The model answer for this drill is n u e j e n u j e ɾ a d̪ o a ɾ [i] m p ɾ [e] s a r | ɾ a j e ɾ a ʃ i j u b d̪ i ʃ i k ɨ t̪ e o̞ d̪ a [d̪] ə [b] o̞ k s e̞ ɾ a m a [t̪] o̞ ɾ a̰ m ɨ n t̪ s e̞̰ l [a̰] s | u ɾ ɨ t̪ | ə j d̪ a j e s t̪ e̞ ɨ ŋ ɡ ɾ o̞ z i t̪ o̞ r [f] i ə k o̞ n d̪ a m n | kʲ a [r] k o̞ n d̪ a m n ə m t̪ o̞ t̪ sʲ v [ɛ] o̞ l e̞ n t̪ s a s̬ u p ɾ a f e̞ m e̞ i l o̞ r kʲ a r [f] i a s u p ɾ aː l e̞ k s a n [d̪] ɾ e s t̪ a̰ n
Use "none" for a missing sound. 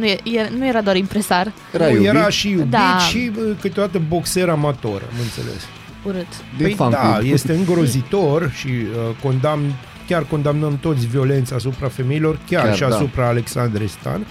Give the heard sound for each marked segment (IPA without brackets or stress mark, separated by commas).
i, e, t̪, b, t̪, ḛ, ʃ, r, i, ʃ, d̪